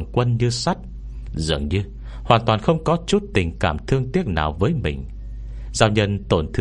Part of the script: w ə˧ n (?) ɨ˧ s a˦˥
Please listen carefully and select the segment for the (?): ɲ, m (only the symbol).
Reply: ɲ